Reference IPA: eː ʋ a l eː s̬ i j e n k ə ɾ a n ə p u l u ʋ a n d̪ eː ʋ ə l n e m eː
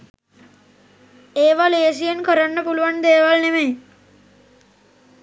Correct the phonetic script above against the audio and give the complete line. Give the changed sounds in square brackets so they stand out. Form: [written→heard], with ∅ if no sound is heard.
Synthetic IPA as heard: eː ʋ a l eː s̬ i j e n k ə ɾ a [n→nː] ə p u l u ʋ a n d̪ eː ʋ [ə→a] l n e m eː